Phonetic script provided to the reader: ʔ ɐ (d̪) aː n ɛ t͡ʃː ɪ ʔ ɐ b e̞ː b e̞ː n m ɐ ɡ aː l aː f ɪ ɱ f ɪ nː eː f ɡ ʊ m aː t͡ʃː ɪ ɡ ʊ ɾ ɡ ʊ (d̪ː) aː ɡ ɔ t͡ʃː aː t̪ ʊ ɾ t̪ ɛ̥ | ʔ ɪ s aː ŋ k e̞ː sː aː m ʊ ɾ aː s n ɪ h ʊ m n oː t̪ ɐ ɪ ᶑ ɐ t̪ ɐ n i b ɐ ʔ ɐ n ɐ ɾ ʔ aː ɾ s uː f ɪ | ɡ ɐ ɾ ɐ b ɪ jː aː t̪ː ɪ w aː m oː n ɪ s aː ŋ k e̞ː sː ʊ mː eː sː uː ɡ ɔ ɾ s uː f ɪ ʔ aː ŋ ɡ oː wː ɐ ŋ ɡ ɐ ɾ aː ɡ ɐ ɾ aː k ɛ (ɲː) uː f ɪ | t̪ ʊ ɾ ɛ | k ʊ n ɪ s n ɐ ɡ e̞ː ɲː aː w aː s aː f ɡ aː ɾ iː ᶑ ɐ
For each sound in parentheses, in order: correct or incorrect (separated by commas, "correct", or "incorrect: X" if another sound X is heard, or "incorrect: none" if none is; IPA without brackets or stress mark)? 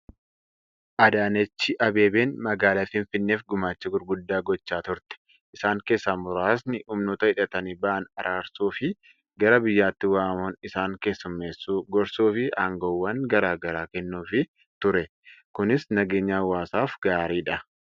correct, correct, incorrect: nː